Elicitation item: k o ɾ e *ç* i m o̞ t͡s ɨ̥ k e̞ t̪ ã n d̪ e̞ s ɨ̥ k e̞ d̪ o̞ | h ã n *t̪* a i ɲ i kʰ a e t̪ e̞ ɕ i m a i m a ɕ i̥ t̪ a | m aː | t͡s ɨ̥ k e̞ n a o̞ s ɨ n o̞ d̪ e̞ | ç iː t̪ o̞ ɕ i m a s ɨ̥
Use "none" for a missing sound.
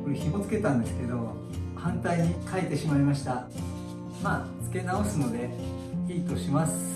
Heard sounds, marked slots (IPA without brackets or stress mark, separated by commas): ç, t̪